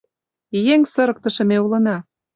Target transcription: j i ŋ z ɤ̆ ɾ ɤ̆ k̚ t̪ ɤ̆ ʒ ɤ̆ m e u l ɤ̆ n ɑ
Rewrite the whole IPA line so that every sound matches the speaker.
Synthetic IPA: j e ŋ s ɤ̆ ɾ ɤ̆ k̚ t̪ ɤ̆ ʃ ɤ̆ m e u l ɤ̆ n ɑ